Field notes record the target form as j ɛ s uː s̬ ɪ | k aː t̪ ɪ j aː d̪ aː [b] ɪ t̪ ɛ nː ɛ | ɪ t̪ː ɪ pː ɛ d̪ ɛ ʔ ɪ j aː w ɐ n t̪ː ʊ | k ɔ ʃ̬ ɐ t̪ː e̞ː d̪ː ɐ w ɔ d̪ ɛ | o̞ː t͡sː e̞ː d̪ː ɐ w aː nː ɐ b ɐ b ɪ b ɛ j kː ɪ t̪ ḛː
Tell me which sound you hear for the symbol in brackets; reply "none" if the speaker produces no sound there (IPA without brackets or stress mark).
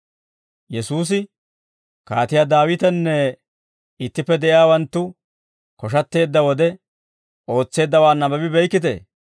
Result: w